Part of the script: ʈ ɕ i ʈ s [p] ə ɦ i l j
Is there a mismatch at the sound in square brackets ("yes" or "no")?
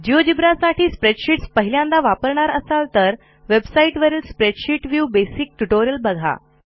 no